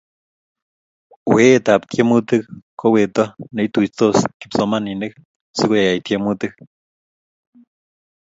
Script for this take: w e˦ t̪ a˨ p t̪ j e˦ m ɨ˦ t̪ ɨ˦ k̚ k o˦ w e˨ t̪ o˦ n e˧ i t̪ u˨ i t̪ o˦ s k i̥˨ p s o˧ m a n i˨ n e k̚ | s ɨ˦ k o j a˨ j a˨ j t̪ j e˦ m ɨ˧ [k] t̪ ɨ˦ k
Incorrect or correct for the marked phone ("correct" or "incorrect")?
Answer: incorrect